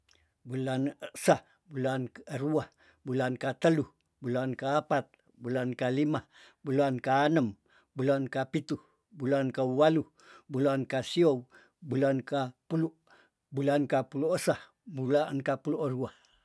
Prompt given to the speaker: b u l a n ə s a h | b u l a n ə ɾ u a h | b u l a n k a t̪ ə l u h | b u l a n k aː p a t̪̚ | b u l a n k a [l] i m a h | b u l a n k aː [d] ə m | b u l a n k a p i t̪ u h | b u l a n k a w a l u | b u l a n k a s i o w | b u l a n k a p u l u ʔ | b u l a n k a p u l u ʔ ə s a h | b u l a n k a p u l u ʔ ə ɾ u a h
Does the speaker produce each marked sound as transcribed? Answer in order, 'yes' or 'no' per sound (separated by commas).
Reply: yes, no